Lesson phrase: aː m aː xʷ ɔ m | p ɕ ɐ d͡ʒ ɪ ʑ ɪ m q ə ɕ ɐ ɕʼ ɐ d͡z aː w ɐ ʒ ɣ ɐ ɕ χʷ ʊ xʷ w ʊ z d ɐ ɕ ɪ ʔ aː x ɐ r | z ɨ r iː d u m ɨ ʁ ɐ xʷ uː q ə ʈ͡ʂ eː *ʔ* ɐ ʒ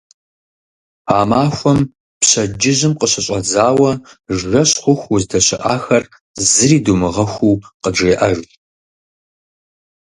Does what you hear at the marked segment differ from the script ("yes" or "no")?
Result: no